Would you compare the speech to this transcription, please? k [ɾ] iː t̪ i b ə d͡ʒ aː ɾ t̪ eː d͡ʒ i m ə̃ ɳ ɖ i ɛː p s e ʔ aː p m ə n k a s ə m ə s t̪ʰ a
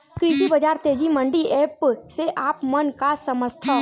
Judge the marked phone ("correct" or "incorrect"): correct